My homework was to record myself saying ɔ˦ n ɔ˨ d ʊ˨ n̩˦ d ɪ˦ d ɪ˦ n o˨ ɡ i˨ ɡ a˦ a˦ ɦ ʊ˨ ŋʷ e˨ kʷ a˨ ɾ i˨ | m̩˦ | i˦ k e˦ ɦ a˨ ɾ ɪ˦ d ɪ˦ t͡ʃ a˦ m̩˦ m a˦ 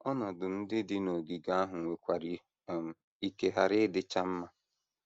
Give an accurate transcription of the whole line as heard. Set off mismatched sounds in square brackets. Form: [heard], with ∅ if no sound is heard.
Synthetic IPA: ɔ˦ n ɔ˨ d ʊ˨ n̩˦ d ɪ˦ d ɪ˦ n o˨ ɡ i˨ ɡ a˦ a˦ ɦ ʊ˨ ŋʷ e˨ kʷ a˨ ɾ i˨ | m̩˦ | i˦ k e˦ ɦ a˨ ɾ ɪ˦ d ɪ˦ t͡ʃ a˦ m̩˦ m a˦

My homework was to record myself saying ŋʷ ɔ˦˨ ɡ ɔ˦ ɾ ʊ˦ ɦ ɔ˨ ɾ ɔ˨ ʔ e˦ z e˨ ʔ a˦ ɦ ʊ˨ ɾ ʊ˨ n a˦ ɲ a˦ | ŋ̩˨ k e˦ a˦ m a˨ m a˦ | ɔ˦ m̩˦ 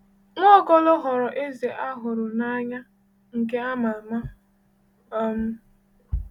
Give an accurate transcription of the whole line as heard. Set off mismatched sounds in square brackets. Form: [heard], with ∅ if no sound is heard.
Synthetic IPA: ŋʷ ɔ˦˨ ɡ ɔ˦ [l] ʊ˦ ɦ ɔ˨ ɾ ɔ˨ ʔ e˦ z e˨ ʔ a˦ ɦ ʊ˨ ɾ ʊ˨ n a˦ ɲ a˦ | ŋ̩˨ k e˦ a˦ m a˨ m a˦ | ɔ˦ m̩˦

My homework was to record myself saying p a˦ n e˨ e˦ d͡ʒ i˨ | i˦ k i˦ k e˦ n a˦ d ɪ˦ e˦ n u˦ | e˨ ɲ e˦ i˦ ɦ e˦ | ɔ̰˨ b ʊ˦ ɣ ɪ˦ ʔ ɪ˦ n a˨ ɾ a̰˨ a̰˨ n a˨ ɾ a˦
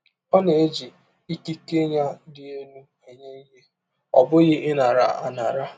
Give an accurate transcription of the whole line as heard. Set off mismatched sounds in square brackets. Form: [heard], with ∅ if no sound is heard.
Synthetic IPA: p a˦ n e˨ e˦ d͡ʒ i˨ | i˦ k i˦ k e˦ [ɲ] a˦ d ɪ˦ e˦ n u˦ | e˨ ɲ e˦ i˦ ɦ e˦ | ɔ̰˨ b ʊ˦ ɣ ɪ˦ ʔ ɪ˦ n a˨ ɾ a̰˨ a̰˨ n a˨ ɾ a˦

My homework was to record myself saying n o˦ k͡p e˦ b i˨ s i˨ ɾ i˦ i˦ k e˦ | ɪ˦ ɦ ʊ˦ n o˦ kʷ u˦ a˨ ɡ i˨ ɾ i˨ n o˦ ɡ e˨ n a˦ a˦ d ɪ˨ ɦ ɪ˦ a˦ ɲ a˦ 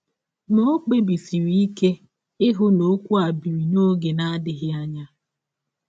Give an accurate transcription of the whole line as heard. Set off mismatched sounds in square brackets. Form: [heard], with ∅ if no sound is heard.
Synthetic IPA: n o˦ k͡p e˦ b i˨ s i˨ ɾ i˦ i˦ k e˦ | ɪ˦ ɦ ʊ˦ n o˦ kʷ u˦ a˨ [b] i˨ ɾ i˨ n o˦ ɡ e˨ n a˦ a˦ d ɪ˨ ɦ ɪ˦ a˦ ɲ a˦

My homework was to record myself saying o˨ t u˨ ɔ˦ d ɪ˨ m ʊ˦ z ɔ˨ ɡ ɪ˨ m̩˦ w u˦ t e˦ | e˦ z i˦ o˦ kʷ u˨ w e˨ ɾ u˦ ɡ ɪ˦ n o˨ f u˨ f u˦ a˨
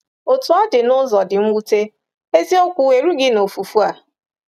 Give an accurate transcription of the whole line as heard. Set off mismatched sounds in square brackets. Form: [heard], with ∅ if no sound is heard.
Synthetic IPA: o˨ t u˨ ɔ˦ d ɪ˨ [n] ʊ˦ z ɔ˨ [d] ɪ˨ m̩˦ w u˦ t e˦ | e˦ z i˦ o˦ kʷ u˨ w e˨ ɾ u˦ ɡ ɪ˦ n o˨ f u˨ f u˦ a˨

